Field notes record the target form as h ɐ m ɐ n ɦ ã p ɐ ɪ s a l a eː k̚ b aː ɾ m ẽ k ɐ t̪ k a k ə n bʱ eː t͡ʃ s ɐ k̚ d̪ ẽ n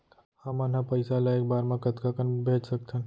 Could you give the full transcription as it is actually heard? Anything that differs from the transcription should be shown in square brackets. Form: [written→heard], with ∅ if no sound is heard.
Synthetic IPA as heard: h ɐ m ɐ n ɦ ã p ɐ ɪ s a l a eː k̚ b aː ɾ m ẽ k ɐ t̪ k a k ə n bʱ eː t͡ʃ s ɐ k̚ [d̪→t̪] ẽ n